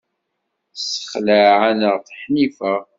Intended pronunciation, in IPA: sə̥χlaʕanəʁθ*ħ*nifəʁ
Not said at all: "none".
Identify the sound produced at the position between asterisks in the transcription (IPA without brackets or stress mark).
ħ